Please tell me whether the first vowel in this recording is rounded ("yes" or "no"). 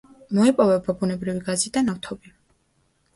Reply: yes